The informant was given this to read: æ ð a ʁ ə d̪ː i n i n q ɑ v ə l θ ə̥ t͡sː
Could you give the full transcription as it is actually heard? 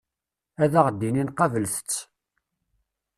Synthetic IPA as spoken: æ ð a ʁ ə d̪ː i n i n q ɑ v ə l θ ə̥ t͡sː